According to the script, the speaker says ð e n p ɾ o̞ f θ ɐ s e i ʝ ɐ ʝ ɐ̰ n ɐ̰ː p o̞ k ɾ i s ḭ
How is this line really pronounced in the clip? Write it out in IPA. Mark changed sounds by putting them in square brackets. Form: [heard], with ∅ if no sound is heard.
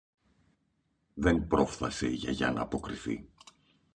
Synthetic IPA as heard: ð e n p ɾ o̞ f θ ɐ s e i ʝ ɐ ʝ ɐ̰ n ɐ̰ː p o̞ k ɾ i [θ] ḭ